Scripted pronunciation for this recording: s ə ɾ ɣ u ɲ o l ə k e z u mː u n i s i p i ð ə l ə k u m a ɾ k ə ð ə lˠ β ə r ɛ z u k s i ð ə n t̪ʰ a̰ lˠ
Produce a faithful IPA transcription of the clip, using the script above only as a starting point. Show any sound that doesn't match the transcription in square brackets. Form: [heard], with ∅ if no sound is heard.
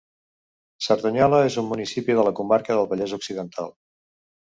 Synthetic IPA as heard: s ə ɾ [ð] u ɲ [ɔ] l ə [∅] e z u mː u n i s i p i ð ə l ə k u m a ɾ k ə ð ə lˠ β ə [ʎ] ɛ z u k s i ð ə n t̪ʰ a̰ lˠ